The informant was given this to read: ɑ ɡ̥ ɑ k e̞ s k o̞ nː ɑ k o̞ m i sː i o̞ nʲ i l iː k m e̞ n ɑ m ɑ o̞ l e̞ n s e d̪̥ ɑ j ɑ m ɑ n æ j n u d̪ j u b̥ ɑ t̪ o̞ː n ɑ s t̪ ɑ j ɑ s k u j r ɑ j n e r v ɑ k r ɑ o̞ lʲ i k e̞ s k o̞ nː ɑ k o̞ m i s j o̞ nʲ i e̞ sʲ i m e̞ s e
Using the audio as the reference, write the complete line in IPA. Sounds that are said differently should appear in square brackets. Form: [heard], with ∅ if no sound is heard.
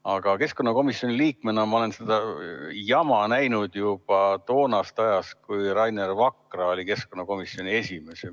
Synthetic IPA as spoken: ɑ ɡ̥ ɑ k e̞ s k o̞ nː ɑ k o̞ m i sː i o̞ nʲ i l iː k m e̞ n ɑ m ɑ o̞ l e̞ n s e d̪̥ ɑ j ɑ m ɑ n æ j n u d̪ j u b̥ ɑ t̪ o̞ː n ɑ s t̪ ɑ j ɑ s k u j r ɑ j n e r v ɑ k r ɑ o̞ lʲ i k e̞ s k o̞ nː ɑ k o̞ m i s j o̞ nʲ i e̞ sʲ i m e̞ s e

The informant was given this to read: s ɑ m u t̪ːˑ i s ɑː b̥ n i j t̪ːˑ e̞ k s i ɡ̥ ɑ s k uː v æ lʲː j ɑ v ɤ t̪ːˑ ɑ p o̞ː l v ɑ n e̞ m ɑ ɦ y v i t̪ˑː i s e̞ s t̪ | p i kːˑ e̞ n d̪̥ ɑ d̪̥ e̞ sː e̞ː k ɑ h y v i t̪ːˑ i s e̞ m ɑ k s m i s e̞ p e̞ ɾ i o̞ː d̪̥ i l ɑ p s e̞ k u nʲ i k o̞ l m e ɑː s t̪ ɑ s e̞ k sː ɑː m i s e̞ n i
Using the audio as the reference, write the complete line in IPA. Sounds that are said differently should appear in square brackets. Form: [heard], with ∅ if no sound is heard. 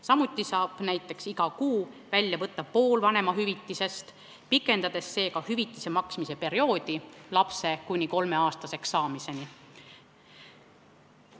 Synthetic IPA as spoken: s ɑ m u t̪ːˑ i s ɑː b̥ n [æ] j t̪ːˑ e̞ k s i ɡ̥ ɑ [∅] k uː v æ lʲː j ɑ v ɤ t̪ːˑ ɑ p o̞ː l v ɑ n e̞ m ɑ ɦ y v i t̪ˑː i s e̞ s t̪ | p i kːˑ e̞ n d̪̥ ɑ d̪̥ e̞ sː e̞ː k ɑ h y v i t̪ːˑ i s e̞ m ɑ k s m i s e̞ p e̞ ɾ i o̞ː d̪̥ i l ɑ p s e̞ k u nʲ i k o̞ l m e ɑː s t̪ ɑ s e̞ k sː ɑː m i s e̞ n i

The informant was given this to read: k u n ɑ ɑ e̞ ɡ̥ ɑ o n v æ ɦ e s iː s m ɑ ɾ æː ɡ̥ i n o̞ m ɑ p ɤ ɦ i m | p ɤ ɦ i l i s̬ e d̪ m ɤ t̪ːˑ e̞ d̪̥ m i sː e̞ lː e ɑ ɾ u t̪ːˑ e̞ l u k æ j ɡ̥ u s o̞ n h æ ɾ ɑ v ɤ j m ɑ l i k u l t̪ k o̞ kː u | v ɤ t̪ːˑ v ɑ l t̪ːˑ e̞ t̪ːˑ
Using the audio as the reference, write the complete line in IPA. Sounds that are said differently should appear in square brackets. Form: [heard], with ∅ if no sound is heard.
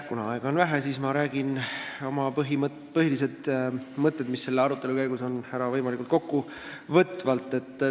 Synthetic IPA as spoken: k u n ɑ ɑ e̞ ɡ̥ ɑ o n v æ ɦ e s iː s m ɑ ɾ æː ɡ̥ i n o̞ m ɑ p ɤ ɦ i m | p ɤ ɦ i l i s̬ e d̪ m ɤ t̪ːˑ e̞ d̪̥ m i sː e̞ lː e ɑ ɾ u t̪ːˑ e̞ l u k æ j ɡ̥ u s o̞ n h æ ɾ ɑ v ɤ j m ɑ l i k u l t̪ k o̞ kː u | v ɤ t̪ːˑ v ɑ l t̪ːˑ e̞ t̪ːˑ

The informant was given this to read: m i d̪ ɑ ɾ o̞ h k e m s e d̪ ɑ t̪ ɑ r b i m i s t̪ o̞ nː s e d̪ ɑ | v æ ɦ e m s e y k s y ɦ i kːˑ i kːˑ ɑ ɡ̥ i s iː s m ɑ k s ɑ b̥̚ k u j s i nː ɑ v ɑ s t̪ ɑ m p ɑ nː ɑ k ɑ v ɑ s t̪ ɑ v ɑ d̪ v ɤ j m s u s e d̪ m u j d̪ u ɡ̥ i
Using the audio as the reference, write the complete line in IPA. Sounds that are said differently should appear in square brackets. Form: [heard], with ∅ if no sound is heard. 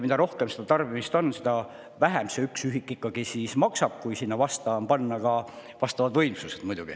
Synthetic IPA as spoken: m i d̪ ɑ ɾ o̞ h k e m s e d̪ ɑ t̪ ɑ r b i m i s t̪ o̞ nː s e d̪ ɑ | v æ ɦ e m s e y k s y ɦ i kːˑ i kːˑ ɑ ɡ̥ i s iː s m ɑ k s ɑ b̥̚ k u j s i nː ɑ v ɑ s t̪ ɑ m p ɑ nː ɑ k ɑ v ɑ s t̪ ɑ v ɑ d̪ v ɤ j m s u s e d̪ m u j d̪ u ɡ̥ i

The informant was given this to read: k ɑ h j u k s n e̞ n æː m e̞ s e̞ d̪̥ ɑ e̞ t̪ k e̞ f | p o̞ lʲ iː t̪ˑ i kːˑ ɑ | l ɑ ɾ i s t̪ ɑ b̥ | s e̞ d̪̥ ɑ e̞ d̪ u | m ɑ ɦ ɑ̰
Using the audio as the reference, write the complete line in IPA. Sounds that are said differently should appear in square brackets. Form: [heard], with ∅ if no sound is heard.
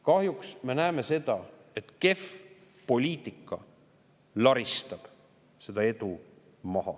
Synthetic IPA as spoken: k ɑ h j u k s [m] e̞ n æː m e̞ s e̞ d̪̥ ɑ e̞ t̪ k e̞ f | p o̞ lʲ iː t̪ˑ i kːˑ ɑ | l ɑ ɾ i s t̪ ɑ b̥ | s e̞ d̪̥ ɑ e̞ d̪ u | m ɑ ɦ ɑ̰

